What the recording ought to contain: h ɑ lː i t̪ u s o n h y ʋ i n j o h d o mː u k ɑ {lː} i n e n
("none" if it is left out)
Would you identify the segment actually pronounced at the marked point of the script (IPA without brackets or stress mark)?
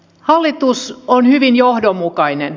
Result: none